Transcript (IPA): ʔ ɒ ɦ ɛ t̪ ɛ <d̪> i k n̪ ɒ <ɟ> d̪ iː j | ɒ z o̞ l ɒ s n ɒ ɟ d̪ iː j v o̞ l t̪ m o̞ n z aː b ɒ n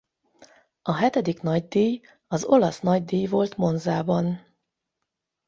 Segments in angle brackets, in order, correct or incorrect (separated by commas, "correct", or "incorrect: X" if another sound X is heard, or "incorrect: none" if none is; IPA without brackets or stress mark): correct, correct